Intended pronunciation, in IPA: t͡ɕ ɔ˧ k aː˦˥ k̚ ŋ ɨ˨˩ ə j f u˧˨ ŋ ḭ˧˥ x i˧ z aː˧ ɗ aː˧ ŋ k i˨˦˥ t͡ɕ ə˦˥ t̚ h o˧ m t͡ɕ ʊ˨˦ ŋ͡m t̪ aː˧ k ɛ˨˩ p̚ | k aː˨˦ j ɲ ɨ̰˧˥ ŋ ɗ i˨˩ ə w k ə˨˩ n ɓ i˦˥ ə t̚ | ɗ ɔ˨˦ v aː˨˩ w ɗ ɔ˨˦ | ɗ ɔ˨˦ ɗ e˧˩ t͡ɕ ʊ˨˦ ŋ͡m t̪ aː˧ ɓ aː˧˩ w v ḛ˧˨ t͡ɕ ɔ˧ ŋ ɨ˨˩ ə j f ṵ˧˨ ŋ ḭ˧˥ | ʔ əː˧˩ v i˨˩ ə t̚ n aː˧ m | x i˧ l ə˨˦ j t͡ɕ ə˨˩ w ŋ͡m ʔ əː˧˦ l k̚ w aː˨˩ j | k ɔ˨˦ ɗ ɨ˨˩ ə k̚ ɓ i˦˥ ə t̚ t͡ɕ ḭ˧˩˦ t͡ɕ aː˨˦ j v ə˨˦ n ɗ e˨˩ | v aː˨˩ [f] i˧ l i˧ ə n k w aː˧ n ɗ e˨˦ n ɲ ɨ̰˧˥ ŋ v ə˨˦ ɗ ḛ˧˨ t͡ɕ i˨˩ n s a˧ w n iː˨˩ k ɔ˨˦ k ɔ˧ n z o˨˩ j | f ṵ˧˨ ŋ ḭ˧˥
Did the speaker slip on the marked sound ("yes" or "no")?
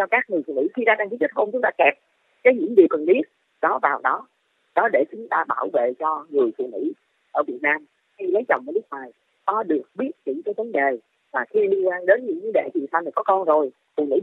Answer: yes